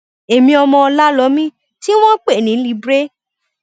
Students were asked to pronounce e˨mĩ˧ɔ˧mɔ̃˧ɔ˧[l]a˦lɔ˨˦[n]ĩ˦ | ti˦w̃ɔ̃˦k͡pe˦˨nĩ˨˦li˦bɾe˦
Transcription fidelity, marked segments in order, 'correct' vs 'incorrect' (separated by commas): correct, incorrect